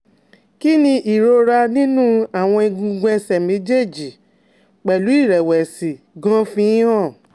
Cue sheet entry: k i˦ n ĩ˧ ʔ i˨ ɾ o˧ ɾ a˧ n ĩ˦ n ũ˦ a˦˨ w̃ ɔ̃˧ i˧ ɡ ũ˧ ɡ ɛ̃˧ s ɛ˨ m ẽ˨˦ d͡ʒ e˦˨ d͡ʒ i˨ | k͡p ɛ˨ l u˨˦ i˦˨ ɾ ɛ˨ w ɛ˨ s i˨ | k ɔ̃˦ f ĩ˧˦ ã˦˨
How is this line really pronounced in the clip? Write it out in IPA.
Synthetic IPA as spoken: k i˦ n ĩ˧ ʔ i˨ ɾ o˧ ɾ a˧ n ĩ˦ n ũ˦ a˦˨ w̃ ɔ̃˧ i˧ ɡ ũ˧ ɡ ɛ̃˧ s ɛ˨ m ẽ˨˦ d͡ʒ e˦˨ d͡ʒ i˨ | k͡p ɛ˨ l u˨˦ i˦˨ ɾ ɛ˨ w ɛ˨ s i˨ | ɡ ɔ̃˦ f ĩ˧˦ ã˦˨